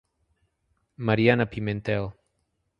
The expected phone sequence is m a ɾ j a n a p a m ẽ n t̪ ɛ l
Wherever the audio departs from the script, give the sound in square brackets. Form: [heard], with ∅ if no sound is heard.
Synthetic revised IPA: m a ɾ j a n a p [i] m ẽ n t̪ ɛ l